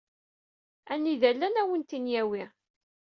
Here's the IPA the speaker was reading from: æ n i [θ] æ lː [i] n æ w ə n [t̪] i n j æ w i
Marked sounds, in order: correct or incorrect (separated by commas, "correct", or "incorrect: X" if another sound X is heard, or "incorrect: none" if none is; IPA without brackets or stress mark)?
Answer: incorrect: ð, incorrect: æ, correct